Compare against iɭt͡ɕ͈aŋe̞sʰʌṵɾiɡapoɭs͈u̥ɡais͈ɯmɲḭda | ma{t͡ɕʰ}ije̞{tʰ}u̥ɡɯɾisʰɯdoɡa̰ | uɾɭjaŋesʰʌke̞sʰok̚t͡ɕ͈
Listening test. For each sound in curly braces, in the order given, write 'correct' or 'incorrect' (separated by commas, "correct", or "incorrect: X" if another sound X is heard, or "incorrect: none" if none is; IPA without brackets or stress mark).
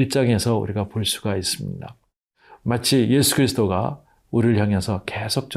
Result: correct, incorrect: sʰ